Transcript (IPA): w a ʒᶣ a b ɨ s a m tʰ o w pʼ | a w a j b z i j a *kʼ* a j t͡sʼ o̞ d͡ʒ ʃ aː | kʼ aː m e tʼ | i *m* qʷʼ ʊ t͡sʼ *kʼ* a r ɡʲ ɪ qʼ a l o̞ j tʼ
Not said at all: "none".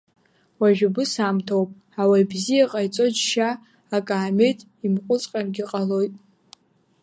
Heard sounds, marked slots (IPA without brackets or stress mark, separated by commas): qʼ, m, qʼ